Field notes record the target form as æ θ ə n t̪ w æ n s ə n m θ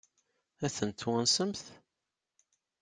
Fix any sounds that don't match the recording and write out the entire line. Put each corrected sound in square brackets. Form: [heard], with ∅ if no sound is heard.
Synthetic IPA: æ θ ə n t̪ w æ n s ə [∅] m θ